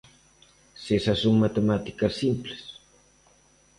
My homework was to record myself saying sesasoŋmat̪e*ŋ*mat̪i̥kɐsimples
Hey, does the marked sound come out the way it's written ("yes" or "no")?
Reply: no